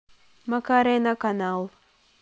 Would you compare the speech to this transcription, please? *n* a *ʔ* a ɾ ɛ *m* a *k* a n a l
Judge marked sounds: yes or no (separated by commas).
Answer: no, no, no, yes